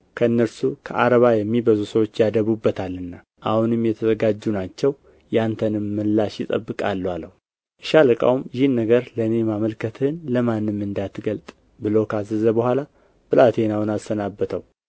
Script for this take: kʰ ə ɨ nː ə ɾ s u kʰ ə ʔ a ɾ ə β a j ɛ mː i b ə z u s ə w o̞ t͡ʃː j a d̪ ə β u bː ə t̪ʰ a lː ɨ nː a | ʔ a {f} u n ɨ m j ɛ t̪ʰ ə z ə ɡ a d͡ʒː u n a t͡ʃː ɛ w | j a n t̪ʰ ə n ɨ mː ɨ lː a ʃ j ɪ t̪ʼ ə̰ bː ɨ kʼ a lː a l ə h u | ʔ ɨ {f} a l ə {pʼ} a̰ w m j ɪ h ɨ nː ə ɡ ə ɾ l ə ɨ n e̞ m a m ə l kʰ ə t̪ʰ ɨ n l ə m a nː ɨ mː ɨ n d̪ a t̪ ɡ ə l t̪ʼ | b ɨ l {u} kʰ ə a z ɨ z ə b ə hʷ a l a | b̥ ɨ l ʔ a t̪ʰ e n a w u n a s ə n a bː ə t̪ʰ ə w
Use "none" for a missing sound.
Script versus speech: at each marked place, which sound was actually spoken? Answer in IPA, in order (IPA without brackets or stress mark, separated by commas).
h, ʃ, kʼ, o